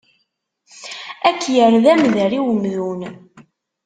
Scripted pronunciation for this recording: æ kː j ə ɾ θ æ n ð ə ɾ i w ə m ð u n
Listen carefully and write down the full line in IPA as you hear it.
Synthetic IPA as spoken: æ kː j ə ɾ ð æ m ð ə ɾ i w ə m ð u n